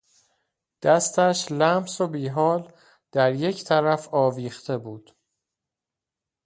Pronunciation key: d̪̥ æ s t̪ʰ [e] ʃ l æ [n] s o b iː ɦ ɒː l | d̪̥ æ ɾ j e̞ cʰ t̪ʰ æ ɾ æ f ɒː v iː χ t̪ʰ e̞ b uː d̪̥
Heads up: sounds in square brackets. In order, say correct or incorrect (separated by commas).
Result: incorrect, incorrect